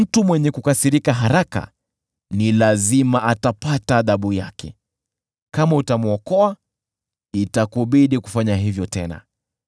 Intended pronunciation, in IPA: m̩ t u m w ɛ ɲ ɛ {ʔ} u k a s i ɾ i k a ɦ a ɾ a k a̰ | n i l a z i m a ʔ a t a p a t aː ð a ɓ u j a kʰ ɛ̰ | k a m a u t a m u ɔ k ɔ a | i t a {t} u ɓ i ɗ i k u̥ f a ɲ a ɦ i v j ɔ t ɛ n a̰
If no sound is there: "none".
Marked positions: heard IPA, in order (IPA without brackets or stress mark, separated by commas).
k, k